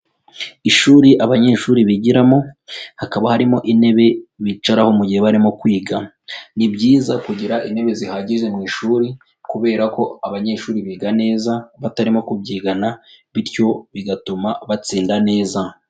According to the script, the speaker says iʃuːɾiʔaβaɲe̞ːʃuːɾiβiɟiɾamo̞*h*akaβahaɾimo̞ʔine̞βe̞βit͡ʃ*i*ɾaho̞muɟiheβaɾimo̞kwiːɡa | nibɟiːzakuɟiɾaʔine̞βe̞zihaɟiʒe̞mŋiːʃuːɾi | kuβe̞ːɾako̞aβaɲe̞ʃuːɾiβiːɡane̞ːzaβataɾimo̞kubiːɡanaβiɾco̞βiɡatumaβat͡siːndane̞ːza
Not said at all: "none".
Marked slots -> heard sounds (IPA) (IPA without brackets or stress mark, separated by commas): h, a